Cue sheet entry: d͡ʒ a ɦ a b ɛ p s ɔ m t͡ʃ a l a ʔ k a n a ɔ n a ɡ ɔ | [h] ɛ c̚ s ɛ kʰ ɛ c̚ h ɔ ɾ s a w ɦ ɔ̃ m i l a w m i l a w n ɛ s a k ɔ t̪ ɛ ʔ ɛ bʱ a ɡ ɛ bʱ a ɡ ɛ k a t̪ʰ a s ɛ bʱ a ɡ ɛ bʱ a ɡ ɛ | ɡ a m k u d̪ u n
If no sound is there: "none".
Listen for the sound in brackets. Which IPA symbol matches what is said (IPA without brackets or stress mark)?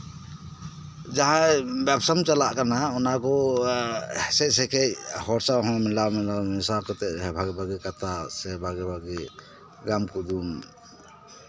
s